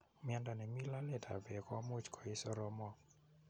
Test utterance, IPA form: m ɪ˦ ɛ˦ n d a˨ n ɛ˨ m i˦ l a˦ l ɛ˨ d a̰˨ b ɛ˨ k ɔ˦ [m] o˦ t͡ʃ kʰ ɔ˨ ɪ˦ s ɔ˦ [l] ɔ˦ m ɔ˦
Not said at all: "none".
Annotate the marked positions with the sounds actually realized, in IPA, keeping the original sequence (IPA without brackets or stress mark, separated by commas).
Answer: m, ɾ